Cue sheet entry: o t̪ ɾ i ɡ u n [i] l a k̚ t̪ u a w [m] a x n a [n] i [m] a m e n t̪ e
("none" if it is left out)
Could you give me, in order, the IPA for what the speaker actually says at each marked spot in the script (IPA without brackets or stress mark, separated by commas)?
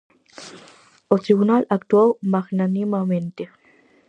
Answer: a, m, n, m